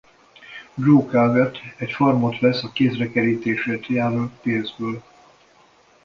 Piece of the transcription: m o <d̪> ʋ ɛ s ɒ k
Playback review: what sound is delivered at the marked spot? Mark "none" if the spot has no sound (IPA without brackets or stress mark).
t̪